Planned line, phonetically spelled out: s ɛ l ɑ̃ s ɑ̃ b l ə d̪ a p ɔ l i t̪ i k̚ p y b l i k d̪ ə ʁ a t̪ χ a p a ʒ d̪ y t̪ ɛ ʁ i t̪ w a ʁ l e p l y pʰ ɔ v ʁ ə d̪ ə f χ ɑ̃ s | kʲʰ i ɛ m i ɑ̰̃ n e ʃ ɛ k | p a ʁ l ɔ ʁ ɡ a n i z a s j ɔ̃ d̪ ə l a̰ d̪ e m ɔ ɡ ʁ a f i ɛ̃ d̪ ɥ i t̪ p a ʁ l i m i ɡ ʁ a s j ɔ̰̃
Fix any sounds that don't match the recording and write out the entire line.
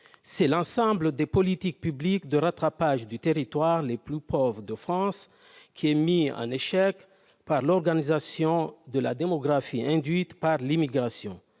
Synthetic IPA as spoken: s ɛ l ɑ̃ s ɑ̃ b l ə d̪ e p ɔ l i t̪ i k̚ p y b l i k d̪ ə ʁ a t̪ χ a p a ʒ d̪ y t̪ e ʁ i t̪ w a ʁ l e p l y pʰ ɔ v ʁ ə d̪ ə f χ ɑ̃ s | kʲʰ i ɛ m i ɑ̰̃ n e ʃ ɛ k | p a ʁ l ɔ ʁ ɡ a n i z a s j ɔ̃ d̪ ə l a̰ d̪ e m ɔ ɡ ʁ a f i ɛ̃ d̪ ɥ i t̪ p a ʁ l i m i ɡ ʁ a s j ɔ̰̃